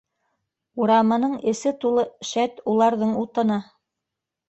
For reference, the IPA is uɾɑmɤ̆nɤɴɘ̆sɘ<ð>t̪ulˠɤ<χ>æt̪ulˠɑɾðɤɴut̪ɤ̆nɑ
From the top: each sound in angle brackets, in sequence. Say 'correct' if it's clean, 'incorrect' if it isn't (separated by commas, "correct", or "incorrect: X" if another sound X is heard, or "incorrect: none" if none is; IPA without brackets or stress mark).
incorrect: none, incorrect: ʃ